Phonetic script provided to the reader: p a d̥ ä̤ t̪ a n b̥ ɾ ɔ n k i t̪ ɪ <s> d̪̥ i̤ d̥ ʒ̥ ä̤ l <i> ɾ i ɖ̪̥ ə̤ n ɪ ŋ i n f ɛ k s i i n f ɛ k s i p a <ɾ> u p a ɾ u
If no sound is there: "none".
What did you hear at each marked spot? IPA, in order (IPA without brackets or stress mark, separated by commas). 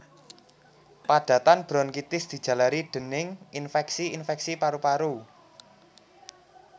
s, a, ɾ